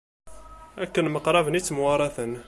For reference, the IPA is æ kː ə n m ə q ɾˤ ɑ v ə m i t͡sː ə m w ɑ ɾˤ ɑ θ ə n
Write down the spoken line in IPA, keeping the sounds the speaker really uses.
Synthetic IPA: æ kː ə n m ə q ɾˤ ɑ v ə n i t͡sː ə m w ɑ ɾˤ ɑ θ ə n